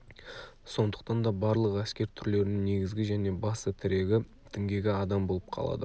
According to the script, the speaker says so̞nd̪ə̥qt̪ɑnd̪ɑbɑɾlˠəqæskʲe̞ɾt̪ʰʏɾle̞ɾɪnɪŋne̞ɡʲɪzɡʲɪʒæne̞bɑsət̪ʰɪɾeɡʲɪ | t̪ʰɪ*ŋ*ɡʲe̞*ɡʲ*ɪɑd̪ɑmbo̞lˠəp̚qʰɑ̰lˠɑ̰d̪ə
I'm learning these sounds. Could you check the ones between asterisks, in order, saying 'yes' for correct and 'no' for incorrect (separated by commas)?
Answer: yes, yes